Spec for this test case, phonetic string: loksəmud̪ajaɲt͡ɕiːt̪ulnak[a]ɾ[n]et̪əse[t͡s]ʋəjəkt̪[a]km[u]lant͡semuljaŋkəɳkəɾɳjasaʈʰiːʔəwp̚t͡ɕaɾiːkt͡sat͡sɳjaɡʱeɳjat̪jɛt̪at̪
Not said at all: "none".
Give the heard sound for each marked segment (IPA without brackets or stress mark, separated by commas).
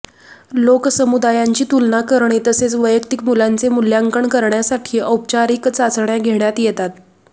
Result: ə, ɳ, t͡s, i, u